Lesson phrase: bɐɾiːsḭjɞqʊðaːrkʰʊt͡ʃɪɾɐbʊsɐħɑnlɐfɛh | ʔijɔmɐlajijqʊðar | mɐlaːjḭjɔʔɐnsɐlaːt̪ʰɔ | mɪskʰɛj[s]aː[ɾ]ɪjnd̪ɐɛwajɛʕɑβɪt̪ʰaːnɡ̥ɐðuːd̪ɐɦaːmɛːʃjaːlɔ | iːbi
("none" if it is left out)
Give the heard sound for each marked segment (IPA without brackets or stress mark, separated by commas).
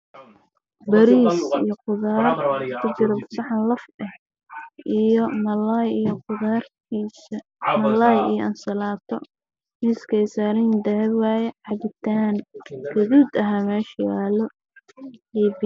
s, ɾ